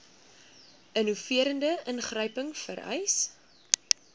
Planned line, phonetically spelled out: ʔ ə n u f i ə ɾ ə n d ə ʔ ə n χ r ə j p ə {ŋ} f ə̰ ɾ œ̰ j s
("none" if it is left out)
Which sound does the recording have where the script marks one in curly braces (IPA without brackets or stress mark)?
ŋ